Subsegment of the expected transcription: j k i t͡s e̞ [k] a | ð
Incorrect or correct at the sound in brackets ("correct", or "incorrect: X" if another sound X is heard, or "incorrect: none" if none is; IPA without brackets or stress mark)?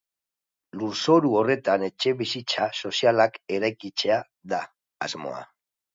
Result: incorrect: none